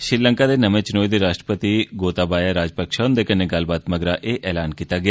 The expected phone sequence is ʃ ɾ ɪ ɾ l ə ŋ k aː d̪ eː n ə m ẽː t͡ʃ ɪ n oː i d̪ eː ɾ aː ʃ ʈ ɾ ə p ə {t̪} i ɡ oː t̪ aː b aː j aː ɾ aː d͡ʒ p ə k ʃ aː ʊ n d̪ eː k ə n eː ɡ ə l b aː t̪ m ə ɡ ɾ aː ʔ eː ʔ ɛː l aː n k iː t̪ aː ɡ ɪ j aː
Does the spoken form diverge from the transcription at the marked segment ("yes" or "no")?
no